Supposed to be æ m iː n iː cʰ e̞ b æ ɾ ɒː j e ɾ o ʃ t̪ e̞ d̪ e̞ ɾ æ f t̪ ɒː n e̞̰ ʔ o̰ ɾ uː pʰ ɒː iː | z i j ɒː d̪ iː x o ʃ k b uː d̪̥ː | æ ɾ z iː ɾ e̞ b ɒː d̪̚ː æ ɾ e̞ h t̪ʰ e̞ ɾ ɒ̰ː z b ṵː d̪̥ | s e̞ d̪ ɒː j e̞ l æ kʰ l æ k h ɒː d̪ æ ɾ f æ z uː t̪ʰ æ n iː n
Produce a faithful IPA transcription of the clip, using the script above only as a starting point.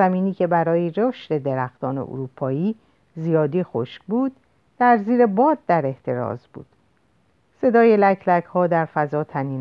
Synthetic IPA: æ m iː n iː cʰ e̞ b æ ɾ ɒː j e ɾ o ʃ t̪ e̞ d̪ e̞ ɾ æ x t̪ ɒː n e̞̰ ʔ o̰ ɾ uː pʰ ɒː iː | z i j ɒː d̪ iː x o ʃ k b uː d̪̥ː | æ ɾ z iː ɾ e̞ b ɒː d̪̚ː æ ɾ e̞ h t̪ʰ e̞ ɾ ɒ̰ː z b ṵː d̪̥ | s e̞ d̪ ɒː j e̞ l æ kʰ l æ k h ɒː d̪ æ ɾ f æ z ɒː t̪ʰ æ n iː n